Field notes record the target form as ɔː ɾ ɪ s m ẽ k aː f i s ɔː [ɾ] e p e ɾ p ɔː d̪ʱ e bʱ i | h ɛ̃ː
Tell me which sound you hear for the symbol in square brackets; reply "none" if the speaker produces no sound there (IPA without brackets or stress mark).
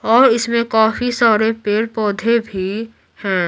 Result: ɾ